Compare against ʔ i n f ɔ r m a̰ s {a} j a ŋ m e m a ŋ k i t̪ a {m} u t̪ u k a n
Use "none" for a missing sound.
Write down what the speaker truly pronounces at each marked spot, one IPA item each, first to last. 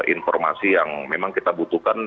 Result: i, b

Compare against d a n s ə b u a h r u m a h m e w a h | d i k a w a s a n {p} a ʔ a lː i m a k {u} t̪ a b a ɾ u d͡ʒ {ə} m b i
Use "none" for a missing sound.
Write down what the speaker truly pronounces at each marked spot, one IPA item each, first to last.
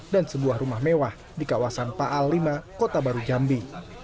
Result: p, o, a

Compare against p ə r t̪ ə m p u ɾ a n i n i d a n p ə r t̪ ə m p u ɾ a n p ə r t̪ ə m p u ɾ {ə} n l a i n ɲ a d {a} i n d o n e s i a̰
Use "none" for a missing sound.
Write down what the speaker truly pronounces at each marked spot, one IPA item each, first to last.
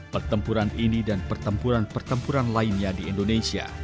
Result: a, i

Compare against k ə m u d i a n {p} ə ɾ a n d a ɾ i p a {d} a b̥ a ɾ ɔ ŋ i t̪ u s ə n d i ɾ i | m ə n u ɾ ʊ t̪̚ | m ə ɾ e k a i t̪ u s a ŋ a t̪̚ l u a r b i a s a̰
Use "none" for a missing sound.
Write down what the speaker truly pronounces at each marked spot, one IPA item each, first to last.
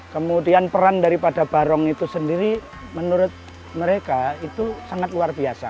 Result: p, d

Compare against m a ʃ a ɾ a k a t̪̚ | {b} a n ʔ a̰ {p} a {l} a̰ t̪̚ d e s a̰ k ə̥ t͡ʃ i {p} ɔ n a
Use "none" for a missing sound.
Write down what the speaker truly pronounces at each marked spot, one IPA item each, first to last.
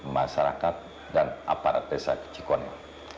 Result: d, p, ɾ, k

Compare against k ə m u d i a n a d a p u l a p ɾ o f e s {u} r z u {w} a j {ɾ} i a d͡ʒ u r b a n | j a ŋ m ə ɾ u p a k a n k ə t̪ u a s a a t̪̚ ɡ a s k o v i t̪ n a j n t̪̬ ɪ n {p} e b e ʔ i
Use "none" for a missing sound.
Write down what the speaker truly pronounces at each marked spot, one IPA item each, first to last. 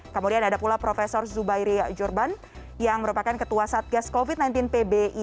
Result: ɔ, b, ɾ, p

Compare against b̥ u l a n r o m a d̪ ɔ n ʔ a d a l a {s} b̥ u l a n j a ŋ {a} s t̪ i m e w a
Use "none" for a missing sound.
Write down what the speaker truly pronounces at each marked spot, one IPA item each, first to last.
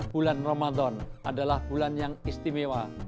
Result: h, i

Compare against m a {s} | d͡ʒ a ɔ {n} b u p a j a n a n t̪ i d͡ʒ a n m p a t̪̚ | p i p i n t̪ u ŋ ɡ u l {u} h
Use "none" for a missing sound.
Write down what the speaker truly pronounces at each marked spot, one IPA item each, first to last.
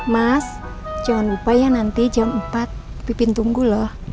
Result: s, n, ɔ

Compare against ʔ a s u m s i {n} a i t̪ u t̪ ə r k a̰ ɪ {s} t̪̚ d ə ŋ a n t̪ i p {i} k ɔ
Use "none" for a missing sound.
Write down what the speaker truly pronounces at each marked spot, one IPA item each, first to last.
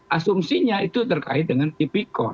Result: ɲ, none, i

